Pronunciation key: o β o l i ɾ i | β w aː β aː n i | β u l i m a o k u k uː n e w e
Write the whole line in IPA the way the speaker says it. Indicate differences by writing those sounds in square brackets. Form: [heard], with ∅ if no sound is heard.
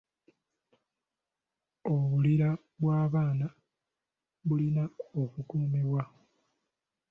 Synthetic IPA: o β [u] l i ɾ [a] | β w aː β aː n [a] | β u l i [n] a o k u k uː [m] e w [a]